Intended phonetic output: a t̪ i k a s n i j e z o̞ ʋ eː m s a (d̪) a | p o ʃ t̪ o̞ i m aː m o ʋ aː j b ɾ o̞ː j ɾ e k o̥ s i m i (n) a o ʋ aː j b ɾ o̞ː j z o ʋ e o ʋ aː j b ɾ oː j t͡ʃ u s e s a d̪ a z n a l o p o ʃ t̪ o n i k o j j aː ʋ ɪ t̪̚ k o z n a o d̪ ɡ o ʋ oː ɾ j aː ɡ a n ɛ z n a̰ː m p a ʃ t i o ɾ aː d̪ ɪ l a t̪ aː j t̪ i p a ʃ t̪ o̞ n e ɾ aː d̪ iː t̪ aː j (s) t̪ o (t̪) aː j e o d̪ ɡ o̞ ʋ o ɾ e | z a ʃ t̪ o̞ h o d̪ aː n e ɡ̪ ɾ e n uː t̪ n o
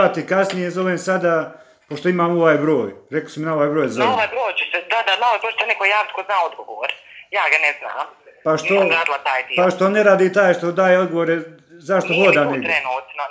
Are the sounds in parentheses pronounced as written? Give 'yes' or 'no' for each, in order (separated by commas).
yes, yes, no, no